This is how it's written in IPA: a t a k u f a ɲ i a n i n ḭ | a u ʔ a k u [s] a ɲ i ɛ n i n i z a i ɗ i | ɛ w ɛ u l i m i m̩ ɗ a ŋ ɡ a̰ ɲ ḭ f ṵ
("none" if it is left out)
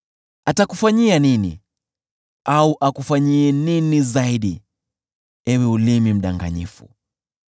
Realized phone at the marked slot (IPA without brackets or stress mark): f